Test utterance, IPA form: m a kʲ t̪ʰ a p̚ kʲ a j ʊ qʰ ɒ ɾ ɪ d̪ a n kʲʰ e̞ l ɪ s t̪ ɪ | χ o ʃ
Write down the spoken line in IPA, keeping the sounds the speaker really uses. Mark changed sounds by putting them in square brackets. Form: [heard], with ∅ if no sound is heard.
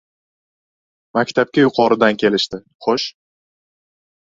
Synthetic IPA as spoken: m a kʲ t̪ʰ a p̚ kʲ a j ʊ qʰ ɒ ɾ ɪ d̪ a n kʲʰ e̞ l ɪ [ʃ] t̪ ɪ | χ o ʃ